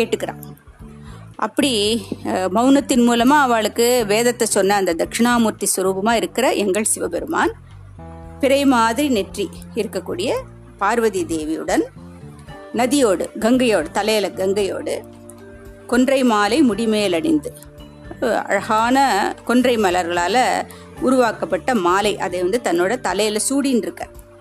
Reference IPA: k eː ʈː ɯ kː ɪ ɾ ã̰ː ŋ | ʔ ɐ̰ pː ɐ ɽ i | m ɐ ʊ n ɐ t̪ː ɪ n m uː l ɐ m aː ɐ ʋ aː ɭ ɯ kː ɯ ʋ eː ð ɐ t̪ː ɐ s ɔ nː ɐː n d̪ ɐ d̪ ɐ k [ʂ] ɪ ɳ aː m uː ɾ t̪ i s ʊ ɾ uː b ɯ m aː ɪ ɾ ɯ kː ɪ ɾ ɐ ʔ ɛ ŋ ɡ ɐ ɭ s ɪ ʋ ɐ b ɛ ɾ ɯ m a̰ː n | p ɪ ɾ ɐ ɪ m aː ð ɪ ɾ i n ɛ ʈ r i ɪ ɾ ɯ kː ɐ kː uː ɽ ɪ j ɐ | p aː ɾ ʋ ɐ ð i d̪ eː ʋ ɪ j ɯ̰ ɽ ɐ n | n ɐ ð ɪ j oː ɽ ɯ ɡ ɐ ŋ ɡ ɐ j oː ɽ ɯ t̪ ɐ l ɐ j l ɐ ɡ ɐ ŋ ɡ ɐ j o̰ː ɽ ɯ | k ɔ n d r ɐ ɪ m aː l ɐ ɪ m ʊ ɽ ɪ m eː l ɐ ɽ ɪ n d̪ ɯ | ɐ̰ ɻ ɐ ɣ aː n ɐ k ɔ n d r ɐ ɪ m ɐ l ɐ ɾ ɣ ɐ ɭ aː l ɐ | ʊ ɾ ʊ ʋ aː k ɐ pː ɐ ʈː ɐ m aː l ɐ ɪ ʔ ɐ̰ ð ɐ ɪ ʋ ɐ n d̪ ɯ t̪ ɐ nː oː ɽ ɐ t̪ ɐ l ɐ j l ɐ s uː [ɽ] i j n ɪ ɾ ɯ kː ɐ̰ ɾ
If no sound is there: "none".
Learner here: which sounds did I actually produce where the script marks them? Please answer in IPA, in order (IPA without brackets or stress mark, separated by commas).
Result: ʂ, ɽ